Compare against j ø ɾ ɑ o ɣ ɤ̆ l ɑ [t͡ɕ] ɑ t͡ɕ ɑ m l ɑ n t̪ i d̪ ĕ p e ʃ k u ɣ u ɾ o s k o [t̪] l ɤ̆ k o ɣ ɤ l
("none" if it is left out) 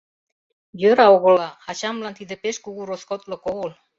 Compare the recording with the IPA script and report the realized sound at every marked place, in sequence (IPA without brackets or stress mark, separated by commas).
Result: none, t̪